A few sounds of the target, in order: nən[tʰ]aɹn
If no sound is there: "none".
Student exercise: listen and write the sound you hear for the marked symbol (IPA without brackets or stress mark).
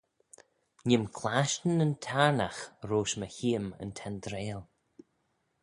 tʰ